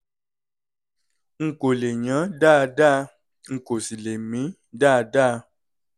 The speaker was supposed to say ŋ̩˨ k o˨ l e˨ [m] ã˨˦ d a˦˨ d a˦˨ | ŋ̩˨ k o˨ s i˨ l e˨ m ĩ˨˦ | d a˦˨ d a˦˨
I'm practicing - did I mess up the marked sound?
yes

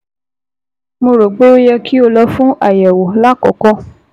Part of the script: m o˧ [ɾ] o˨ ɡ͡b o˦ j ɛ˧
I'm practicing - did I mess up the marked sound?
no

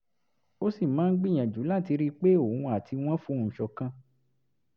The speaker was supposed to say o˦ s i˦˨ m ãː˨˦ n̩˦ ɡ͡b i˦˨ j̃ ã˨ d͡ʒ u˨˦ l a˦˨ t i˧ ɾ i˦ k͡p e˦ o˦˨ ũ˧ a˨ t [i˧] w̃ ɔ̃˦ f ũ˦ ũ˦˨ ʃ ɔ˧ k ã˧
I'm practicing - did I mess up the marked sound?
no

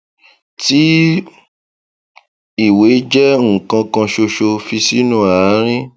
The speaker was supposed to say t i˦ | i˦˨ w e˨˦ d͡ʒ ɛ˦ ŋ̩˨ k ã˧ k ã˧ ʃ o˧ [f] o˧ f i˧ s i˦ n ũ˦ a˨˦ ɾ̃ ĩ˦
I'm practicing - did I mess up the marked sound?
yes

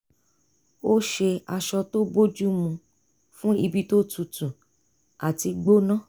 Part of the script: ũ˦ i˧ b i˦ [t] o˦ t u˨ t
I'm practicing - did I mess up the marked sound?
no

